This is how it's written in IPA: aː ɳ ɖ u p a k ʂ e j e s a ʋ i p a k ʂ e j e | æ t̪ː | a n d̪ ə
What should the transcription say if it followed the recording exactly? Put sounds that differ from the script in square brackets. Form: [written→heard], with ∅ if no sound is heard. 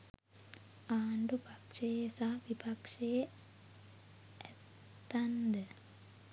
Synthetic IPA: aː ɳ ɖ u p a k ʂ e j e s a ʋ i p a k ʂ e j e | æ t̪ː | a n d̪ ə